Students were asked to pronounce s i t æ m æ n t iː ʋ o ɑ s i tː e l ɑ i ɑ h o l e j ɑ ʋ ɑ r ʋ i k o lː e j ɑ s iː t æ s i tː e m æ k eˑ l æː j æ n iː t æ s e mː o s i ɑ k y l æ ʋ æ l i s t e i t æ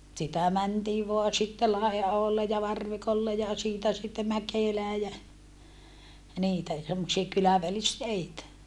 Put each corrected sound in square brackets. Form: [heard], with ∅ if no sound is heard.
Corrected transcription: s i t æ m æ n t iː ʋ o ɑ s i tː e l ɑ i ɑ h o [lː] e j ɑ ʋ ɑ r ʋ i k o lː e j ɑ s iː t æ s i tː e m æ k eˑ l æː j æ n iː t æ s e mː o s i ɑ k y l æ ʋ æ l i s t e i t æ